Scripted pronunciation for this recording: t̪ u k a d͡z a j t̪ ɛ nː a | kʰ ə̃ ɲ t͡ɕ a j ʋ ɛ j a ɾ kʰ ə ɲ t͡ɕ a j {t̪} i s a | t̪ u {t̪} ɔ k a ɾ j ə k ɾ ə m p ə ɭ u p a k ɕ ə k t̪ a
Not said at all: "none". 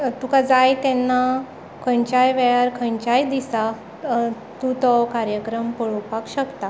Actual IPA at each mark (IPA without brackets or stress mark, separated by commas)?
d̪, t̪